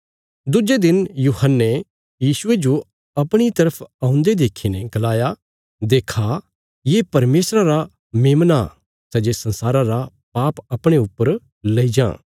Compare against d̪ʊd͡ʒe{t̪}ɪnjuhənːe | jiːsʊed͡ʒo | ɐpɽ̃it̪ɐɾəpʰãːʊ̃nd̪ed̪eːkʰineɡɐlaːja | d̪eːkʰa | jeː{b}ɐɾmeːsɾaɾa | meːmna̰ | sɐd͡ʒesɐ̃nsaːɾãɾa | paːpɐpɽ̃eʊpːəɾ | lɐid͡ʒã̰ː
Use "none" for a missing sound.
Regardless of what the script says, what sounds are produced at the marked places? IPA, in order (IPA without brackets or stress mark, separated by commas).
d̪, p